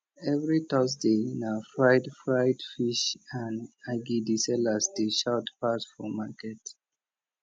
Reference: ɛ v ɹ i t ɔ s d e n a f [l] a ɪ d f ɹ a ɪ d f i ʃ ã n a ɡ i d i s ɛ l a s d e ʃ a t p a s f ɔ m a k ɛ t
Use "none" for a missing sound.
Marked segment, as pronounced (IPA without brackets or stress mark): ɹ